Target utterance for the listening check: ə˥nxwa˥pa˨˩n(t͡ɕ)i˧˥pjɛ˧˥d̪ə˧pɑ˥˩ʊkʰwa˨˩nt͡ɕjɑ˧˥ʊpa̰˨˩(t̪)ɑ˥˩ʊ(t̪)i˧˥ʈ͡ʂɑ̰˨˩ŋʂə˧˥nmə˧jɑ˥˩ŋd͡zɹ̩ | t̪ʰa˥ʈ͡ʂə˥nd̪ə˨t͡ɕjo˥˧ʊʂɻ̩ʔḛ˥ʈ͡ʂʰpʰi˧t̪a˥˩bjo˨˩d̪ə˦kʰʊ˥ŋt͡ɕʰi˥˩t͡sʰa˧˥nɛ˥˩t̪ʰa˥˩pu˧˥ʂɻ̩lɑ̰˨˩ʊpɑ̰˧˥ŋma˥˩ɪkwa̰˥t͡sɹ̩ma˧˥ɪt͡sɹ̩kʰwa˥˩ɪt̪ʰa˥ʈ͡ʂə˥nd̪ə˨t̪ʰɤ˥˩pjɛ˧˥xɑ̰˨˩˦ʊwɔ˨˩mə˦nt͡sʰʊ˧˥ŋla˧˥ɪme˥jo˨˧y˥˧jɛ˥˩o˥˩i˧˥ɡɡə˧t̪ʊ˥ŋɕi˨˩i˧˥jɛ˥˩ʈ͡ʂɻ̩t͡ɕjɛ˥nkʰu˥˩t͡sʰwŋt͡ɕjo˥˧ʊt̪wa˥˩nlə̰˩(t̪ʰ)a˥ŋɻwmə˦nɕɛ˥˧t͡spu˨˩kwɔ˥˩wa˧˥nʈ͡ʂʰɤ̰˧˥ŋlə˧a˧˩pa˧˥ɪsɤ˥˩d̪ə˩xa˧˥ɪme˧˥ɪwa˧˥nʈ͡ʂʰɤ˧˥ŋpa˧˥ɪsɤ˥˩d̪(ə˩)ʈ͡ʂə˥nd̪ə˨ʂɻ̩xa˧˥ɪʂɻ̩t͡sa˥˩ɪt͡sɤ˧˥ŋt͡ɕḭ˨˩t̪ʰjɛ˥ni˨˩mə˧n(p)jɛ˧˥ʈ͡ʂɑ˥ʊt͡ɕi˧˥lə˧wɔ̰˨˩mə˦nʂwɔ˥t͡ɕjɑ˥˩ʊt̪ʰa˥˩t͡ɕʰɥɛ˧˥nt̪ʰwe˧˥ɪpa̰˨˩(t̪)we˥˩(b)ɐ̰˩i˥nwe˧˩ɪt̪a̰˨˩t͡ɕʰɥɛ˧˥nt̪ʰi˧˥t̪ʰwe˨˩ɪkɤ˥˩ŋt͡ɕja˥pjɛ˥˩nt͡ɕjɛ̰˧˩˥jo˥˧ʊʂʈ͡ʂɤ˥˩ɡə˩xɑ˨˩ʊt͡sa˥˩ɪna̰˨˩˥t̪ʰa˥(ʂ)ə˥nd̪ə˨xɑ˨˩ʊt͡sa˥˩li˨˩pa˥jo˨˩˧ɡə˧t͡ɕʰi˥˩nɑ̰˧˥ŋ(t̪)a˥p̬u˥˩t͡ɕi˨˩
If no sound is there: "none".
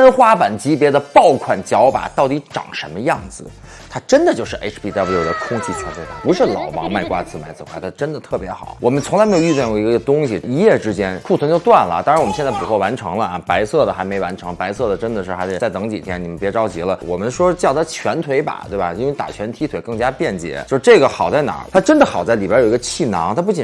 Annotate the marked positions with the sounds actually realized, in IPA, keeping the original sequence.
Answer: t͡ɕ, t̪, t̪, t̪, ə˩, p, t̪, b, ʈ͡ʂ, t̪ʰ

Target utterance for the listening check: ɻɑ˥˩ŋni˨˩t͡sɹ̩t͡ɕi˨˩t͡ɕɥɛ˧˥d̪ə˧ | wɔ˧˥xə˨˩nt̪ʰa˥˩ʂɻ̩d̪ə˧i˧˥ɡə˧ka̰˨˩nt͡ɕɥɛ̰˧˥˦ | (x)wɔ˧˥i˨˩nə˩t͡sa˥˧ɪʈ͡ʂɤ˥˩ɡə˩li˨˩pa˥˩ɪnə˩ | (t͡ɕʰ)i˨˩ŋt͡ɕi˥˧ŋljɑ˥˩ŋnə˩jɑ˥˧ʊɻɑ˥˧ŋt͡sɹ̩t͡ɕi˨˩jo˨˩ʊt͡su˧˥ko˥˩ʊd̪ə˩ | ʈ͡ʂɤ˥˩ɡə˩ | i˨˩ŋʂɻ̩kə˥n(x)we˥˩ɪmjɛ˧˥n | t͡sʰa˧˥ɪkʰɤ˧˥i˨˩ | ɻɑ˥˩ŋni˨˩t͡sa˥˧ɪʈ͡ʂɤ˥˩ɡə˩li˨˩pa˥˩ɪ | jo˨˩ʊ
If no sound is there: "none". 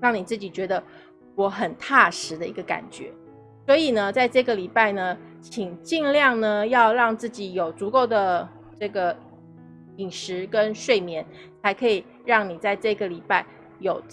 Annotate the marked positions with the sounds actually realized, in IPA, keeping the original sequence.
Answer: s, t͡ɕʰ, ʂ

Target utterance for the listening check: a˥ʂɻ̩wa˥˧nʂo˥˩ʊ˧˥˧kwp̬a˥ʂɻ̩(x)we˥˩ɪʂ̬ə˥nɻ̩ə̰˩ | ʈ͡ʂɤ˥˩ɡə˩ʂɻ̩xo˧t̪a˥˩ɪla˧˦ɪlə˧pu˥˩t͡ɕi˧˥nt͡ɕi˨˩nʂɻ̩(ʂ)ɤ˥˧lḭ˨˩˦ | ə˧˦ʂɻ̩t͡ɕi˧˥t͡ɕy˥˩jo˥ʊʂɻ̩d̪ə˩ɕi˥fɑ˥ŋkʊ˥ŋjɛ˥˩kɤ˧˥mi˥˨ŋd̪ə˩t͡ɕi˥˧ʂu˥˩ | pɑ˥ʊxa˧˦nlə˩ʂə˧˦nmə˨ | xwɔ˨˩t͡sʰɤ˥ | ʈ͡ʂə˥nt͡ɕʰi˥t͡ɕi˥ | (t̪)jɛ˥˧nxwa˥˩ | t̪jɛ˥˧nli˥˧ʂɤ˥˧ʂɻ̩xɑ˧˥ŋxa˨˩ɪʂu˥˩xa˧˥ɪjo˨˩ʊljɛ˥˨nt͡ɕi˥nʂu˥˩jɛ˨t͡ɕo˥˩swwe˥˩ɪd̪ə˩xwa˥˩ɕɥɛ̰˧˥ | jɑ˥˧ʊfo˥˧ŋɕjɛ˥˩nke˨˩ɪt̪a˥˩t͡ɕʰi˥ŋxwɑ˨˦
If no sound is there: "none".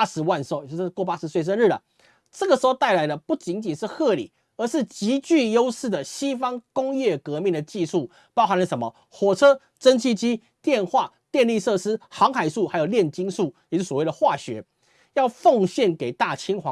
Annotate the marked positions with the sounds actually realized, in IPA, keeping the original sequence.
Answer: s, x, t̪

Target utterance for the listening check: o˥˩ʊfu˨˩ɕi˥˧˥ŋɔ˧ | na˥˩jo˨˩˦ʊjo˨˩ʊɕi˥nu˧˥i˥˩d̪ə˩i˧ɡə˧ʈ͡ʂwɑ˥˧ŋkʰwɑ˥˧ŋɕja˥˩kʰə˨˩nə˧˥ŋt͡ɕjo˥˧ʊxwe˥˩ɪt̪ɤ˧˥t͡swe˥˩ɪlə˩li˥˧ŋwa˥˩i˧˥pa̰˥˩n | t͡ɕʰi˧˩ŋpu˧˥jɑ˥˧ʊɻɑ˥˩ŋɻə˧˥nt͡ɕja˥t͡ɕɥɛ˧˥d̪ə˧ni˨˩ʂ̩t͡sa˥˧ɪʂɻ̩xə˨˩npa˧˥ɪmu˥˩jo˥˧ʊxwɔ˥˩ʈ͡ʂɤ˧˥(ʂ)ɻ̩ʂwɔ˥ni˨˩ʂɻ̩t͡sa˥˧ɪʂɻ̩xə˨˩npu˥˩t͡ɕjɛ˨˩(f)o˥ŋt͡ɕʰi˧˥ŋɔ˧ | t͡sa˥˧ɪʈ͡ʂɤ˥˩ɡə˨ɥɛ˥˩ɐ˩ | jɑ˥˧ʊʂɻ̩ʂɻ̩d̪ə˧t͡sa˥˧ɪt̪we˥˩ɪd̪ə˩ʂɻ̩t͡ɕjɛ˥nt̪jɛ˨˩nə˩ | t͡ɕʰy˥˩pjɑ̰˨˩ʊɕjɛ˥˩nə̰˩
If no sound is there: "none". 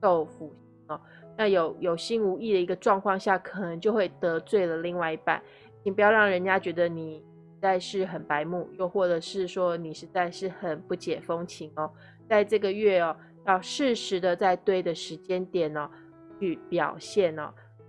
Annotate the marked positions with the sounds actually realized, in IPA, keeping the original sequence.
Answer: ʂ, f

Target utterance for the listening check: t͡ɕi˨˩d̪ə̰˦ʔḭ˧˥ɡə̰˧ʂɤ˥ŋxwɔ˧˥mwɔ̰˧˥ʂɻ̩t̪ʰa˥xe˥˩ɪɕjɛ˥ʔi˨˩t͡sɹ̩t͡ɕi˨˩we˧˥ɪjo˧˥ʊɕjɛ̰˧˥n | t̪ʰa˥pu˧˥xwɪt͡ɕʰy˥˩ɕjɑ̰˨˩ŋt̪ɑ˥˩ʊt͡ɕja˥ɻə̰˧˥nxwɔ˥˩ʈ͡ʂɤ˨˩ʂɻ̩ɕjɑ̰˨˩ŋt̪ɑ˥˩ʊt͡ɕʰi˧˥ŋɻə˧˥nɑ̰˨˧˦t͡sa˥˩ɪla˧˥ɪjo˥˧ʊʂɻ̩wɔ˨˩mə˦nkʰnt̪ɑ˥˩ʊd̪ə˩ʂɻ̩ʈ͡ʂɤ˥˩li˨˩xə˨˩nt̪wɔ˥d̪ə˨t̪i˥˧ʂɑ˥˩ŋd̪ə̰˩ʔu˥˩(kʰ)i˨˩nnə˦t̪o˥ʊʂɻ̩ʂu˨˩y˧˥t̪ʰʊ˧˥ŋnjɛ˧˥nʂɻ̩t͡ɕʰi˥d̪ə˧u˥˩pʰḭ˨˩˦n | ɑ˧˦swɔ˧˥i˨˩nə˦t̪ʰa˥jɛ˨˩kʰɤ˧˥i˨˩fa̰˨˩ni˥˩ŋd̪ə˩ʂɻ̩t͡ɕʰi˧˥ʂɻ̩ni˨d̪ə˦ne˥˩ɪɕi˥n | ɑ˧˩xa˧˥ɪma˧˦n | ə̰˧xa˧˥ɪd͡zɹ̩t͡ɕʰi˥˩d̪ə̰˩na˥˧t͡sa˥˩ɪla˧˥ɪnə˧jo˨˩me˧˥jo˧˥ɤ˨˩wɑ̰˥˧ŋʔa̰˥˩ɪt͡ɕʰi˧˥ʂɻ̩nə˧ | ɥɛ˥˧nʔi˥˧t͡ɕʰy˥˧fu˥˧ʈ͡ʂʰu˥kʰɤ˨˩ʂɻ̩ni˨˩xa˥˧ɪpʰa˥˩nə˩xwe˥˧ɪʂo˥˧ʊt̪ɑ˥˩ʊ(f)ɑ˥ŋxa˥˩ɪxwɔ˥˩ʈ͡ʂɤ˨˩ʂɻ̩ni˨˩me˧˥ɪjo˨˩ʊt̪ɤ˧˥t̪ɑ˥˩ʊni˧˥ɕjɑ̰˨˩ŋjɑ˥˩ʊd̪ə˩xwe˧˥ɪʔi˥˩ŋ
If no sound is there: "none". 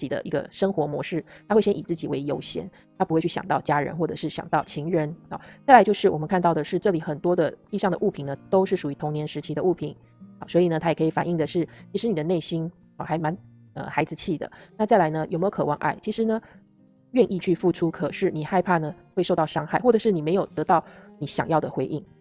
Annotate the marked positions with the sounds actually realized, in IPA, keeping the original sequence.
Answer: pʰ, ʂ

